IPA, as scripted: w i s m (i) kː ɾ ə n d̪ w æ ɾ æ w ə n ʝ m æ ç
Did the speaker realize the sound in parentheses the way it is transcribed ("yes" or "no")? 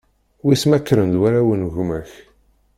no